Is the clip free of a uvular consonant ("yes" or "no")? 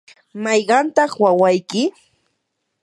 no